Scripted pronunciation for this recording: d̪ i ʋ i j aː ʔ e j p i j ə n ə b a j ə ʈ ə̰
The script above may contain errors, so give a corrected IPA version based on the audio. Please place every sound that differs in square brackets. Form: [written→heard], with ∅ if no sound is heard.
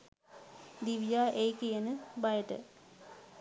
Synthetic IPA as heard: d̪ i ʋ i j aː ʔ e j [p→k] i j ə n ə b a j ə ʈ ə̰